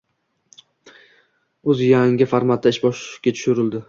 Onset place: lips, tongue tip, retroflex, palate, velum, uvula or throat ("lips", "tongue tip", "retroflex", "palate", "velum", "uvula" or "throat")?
tongue tip